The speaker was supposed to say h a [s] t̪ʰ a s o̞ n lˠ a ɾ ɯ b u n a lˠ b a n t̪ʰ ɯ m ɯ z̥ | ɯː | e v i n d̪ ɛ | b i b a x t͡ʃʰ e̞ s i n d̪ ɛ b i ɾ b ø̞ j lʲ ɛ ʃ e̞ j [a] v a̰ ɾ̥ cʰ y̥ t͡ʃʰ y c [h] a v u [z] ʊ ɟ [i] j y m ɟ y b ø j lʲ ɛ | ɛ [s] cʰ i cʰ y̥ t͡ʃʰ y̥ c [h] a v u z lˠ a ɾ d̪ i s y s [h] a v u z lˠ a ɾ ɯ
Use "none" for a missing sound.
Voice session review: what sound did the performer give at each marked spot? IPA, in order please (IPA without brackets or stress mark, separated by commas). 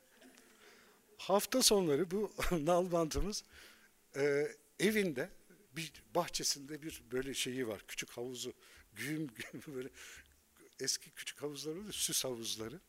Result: f, i, h, z, y, s, h, h